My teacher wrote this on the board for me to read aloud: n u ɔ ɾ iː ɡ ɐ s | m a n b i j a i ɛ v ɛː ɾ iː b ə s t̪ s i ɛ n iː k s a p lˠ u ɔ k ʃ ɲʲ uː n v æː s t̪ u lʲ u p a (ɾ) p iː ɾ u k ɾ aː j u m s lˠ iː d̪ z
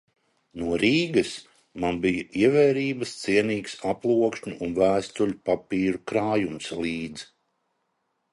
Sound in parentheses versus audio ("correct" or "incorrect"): incorrect